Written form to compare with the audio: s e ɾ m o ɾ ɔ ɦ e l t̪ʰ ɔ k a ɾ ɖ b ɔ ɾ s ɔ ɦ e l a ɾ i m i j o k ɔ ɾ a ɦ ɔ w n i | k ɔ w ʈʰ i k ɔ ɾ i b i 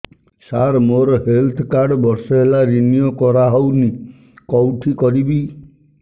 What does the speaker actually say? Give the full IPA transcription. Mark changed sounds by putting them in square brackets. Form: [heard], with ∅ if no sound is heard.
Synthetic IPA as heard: s [a] ɾ m o ɾ ɔ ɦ e l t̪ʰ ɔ k a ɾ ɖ b ɔ ɾ s ɔ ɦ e l a ɾ i [n] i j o k ɔ ɾ a ɦ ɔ w n i | k ɔ w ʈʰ i k ɔ ɾ i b i